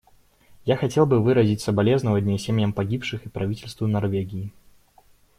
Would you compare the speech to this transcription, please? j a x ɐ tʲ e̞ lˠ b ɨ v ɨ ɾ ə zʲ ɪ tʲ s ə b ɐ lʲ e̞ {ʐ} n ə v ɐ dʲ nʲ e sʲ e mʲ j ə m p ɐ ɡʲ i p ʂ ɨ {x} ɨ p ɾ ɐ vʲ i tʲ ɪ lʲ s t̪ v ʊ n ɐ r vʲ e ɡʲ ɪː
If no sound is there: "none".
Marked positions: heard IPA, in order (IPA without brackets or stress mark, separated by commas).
z, x